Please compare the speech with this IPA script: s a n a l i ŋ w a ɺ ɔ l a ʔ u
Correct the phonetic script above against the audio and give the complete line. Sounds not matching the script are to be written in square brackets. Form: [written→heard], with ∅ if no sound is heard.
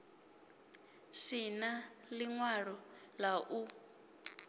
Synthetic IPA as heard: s [a→i] n a l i ŋ w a ɺ ɔ l a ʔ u